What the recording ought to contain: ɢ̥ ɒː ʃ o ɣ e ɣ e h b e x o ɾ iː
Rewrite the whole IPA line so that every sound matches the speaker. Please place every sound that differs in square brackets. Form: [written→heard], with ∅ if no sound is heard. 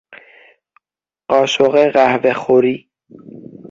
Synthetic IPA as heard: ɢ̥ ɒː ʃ o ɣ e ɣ [e→æ] h [b→v] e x o ɾ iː

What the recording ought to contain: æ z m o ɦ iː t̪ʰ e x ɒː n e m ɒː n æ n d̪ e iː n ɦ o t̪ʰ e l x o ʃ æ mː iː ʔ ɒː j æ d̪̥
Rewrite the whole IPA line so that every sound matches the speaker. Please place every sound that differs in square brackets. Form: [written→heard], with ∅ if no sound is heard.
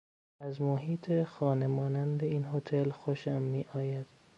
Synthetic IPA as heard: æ z m o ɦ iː t̪ʰ e x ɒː n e m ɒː n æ n d̪ e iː n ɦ o t̪ʰ e l x o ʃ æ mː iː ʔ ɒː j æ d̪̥

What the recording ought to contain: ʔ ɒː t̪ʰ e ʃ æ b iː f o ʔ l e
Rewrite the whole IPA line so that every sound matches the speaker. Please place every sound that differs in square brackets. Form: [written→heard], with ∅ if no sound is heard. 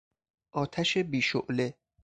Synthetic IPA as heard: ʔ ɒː t̪ʰ [e→æ] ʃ [æ→e] b iː [f→ʃ] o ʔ l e

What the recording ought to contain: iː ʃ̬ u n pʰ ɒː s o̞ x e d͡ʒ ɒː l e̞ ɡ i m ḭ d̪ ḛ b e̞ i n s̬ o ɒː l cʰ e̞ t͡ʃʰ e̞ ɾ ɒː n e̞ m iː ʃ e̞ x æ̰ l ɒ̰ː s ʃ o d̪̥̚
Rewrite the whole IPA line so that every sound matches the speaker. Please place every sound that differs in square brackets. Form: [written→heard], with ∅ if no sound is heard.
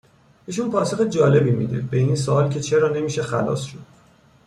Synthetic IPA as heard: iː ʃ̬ u n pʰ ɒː s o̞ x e d͡ʒ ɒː l e̞ [ɡ→b] i m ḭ d̪ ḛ b e̞ i n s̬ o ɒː l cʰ e̞ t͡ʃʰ e̞ ɾ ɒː n e̞ m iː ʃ e̞ x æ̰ l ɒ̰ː s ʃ o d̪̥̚

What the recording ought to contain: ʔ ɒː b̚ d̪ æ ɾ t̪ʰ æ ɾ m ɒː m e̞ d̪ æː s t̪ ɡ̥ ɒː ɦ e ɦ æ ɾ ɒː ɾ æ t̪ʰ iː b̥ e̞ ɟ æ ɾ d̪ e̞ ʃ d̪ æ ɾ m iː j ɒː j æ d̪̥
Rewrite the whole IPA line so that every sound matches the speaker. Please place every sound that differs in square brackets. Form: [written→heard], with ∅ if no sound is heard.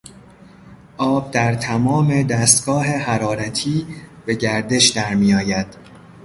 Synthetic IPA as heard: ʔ ɒː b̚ d̪ æ ɾ t̪ʰ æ [ɾ→∅] m ɒː m e̞ d̪ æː s t̪ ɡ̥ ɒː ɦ e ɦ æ ɾ ɒː ɾ æ t̪ʰ iː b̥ e̞ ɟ æ ɾ d̪ e̞ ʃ d̪ æ ɾ m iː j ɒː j æ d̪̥

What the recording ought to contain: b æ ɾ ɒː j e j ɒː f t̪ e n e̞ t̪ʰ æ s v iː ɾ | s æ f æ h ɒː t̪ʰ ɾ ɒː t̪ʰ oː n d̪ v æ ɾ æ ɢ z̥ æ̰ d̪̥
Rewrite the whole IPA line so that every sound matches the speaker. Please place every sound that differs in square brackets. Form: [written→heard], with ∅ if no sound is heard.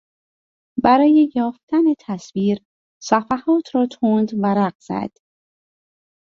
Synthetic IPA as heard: b æ ɾ ɒː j e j ɒː f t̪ [e→æ] n e̞ t̪ʰ æ s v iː ɾ | s æ f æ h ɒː t̪ʰ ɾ ɒː t̪ʰ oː n d̪ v æ ɾ æ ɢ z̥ æ̰ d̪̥

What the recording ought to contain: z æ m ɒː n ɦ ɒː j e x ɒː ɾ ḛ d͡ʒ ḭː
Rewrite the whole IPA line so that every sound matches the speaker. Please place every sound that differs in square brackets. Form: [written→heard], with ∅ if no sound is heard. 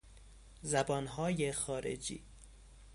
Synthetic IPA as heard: z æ [m→b] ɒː n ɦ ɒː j e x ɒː ɾ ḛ d͡ʒ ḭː

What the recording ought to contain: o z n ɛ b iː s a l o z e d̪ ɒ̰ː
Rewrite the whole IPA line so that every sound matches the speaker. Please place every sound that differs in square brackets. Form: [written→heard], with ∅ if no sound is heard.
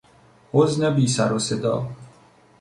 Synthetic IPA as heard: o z n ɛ b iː s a [l→ɾ] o [z→s] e d̪ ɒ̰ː

